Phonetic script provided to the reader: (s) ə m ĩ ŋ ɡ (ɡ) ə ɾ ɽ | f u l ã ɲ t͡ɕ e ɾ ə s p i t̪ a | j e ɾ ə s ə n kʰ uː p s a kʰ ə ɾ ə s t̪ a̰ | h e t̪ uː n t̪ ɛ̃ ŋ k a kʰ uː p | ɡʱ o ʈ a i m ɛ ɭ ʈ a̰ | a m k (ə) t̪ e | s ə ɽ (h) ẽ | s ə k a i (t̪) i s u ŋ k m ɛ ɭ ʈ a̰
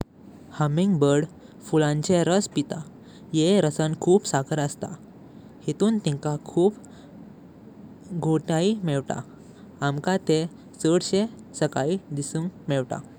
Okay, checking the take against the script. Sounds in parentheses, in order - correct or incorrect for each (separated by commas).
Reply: incorrect, incorrect, incorrect, incorrect, incorrect